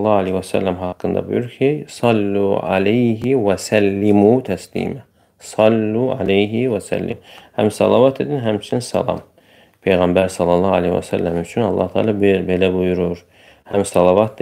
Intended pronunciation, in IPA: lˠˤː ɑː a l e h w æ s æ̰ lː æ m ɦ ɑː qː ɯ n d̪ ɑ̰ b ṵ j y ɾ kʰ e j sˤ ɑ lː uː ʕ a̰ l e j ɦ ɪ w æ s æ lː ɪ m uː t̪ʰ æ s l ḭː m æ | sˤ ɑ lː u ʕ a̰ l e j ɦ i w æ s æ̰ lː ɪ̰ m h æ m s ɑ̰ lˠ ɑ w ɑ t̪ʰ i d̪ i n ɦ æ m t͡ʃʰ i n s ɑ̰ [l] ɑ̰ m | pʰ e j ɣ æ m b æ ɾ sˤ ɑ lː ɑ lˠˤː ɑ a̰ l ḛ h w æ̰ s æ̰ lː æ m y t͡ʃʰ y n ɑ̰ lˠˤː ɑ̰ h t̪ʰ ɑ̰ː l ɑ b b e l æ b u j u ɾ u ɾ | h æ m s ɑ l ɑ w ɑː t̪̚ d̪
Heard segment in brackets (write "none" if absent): l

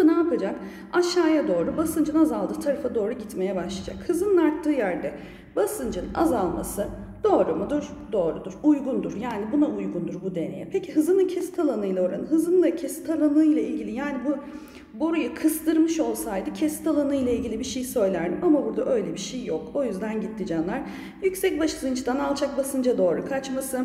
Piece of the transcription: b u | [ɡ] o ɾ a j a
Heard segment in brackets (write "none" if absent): b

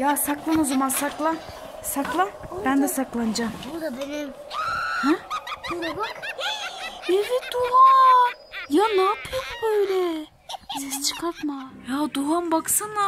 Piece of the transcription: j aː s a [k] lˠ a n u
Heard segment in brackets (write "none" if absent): k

